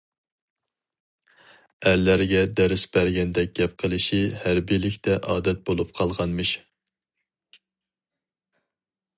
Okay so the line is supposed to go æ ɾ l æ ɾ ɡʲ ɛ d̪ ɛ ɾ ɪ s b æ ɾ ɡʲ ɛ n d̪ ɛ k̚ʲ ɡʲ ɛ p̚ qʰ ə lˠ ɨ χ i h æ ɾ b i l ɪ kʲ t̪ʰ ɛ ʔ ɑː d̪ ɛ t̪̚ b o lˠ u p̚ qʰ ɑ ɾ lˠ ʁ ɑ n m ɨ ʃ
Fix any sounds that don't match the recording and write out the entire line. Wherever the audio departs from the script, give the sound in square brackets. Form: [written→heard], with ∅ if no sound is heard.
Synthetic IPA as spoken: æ ɾ l æ ɾ ɡʲ ɛ d̪ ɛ ɾ ɪ s b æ ɾ ɡʲ ɛ n d̪ ɛ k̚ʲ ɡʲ ɛ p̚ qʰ ə lˠ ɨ [χ→ʃ] i h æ ɾ b i l ɪ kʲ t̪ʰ ɛ ʔ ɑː d̪ ɛ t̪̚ b o lˠ u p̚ qʰ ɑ [ɾ→∅] lˠ ʁ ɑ n m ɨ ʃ